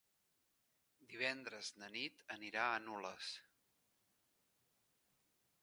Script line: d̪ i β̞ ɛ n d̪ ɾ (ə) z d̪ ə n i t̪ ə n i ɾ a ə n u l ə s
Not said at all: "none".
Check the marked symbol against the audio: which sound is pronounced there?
ə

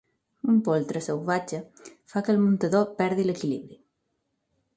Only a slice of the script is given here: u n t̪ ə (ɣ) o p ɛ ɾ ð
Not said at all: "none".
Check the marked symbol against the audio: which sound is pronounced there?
ð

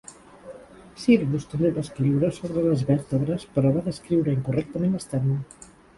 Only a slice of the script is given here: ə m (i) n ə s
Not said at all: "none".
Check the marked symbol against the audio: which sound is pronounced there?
e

